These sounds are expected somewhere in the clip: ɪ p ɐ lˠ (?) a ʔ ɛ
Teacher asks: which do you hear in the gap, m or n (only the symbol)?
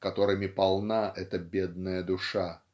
n